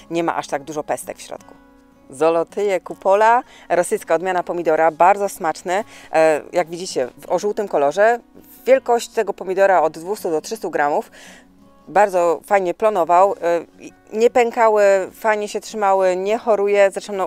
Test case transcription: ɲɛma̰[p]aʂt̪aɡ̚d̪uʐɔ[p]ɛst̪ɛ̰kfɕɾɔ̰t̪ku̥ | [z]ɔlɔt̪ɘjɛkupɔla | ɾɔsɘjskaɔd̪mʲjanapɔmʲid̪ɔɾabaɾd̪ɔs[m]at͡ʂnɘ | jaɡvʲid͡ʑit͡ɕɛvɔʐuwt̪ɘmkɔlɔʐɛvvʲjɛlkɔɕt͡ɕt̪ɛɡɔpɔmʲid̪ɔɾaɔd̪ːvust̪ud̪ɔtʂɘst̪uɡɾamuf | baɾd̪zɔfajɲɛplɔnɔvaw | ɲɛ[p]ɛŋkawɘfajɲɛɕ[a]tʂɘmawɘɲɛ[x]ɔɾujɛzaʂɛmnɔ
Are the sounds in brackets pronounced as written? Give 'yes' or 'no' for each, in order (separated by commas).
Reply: no, yes, yes, yes, yes, no, yes